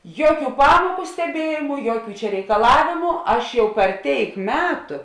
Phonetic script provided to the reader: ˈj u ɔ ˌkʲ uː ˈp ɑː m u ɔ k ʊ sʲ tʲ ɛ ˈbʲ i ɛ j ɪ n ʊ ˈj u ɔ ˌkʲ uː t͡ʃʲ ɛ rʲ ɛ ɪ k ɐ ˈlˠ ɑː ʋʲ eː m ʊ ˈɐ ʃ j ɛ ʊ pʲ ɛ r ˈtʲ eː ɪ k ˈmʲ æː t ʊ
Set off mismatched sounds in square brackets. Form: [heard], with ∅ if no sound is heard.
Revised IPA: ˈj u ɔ ˌkʲ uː ˈp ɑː m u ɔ k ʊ sʲ tʲ ɛ ˈbʲ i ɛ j ɪ [m] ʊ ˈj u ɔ ˌkʲ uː t͡ʃʲ ɛ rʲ ɛ ɪ k ɐ ˈlˠ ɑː ʋʲ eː m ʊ ˈɐ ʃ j ɛ ʊ pʲ ɛ r ˈtʲ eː ɪ k ˈmʲ æː t ʊ